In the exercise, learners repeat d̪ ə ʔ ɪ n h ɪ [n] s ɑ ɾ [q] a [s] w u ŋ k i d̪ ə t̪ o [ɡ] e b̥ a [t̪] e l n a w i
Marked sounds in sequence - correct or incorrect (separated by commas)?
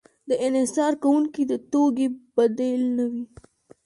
incorrect, incorrect, incorrect, correct, incorrect